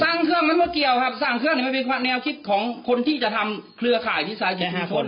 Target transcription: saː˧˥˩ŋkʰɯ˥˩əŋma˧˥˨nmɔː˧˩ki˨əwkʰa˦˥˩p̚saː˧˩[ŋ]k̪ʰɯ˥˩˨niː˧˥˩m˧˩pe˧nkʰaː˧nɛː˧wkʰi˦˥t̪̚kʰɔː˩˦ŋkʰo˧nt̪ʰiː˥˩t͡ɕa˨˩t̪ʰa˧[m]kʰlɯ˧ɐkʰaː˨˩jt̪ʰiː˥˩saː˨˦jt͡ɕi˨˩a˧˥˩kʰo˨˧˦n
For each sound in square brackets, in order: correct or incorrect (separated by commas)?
correct, correct